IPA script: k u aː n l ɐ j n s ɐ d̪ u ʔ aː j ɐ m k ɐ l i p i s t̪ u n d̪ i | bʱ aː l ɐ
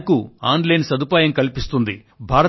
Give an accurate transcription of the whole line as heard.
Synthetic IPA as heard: k u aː n l ɐ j n s ɐ d̪ u p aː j ɐ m k ɐ l i p i s t̪ u n d̪ i | bʱ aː ɾ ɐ

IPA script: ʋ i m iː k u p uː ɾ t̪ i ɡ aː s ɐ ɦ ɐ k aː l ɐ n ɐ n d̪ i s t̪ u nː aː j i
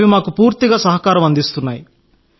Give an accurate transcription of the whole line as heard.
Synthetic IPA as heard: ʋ i m aː k u p uː ɾ t̪ i ɡ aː s ɐ ɦ ɐ k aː ɾ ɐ m ɐ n d̪ i s t̪ u nː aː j i

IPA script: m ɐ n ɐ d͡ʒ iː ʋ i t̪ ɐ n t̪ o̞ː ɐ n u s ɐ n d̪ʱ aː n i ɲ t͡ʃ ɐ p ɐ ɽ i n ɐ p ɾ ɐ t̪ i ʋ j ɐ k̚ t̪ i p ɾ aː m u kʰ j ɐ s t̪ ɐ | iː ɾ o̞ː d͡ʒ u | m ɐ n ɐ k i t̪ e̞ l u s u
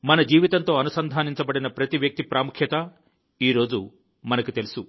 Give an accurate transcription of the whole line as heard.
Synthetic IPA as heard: m ɐ n ɐ d͡ʒ iː ʋ i t̪ ɐ n t̪ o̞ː ɐ n u s ɐ n d̪ʱ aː n i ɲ t͡ʃ ɐ b ɐ ɽ i n ɐ p ɾ ɐ t̪ i ʋ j ɐ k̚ t̪ i p ɾ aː m u kʰ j ɐ t̪ ɐ | iː ɾ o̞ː d͡ʒ u | m ɐ n ɐ k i t̪ e̞ l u s u

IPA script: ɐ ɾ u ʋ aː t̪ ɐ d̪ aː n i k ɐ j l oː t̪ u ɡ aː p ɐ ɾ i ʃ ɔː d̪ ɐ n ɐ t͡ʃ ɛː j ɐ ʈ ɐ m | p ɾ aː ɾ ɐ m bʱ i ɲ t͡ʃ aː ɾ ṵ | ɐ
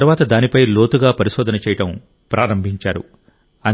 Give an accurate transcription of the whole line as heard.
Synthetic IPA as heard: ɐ ɾ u ʋ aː t̪ ɐ d̪ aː n i p ɐ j l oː t̪ u ɡ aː p ɐ ɾ i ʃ ɔː d̪ ɐ n ɐ t͡ʃ ɛː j ɐ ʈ ɐ m | p ɾ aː ɾ ɐ m bʱ i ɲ t͡ʃ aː ɾ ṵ | ɐ

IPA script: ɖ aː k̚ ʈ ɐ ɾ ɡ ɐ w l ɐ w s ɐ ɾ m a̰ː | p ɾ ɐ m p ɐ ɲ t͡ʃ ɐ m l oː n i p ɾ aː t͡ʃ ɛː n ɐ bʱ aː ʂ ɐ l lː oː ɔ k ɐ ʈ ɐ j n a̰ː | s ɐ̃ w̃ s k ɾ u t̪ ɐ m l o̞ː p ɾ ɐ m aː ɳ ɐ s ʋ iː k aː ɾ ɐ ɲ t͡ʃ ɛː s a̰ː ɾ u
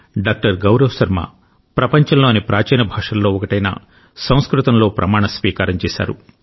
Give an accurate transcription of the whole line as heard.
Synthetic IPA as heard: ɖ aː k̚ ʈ ɐ ɾ ɡ ɐ w ɾ ɐ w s ɐ ɾ m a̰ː | p ɾ ɐ p ɐ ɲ t͡ʃ ɐ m l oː n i p ɾ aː t͡ʃ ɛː n ɐ bʱ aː ʂ ɐ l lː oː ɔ k ɐ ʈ ɐ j n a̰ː | s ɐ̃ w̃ s k ɾ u t̪ ɐ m l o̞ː p ɾ ɐ m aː ɳ ɐ s ʋ iː k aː ɾ ɐ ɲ t͡ʃ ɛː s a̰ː ɾ u

